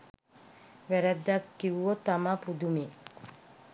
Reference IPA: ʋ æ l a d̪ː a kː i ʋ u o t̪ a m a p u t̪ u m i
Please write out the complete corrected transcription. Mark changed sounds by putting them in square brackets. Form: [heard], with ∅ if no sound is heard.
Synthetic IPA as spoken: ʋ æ [ɾ] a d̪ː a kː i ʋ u o t̪ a m a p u [d̪] u m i